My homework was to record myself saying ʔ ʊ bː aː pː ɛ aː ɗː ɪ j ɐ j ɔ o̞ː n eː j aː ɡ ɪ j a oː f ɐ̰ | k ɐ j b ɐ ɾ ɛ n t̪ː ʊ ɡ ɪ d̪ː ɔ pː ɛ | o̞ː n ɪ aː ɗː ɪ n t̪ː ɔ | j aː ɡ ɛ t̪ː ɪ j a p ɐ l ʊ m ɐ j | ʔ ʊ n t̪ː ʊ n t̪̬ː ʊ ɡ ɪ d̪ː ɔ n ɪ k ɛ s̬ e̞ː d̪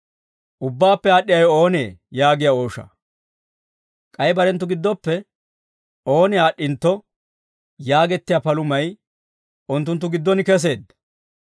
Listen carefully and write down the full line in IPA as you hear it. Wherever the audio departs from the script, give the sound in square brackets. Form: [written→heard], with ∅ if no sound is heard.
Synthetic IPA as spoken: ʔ ʊ bː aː pː ɛ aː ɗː ɪ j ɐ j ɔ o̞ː n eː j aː ɡ ɪ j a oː [f→ʃ] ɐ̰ | [k→kʼ] ɐ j b ɐ ɾ ɛ n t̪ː ʊ ɡ ɪ d̪ː ɔ pː ɛ | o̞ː n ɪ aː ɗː ɪ n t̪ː ɔ | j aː ɡ ɛ t̪ː ɪ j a p ɐ l ʊ m ɐ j | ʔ ʊ n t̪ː ʊ n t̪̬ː ʊ ɡ ɪ d̪ː ɔ n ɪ k ɛ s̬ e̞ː d̪